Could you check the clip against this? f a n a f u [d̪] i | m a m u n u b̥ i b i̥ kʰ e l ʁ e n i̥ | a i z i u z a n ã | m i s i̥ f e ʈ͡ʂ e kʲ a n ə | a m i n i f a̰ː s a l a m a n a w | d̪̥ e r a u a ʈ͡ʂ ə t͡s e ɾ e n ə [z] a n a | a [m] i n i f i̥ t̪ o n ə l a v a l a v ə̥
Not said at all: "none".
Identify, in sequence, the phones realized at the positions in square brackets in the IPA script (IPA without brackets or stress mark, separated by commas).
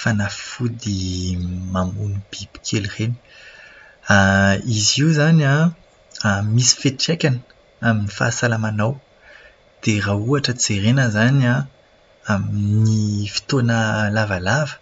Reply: d̪, z, m